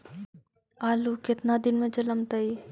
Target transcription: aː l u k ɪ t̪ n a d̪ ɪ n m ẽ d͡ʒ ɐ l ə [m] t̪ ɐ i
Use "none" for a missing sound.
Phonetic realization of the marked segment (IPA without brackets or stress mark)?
m